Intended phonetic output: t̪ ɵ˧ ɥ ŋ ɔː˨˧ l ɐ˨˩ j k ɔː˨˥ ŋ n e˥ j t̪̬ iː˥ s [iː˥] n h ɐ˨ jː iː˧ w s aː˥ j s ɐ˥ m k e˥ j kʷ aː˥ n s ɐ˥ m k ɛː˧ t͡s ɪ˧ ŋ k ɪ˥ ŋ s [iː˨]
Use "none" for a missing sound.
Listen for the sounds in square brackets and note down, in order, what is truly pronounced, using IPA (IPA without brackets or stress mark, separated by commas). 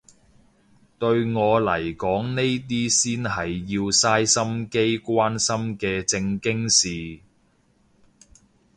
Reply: iː˥, iː˨